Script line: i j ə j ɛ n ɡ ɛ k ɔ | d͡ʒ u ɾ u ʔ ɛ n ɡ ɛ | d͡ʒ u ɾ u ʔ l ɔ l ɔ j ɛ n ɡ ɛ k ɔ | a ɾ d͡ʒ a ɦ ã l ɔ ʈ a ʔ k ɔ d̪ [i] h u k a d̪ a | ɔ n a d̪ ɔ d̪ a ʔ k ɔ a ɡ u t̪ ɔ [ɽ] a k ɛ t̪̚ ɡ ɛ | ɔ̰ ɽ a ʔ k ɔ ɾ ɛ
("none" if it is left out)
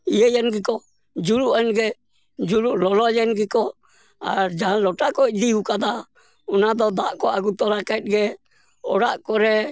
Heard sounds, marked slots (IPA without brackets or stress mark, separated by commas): i, ɾ